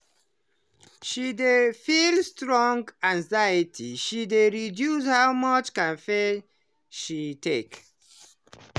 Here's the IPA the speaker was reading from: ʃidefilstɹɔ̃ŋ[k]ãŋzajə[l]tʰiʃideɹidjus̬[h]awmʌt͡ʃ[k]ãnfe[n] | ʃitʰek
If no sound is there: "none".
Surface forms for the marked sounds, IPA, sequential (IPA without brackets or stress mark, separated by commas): ɡ, none, h, k, none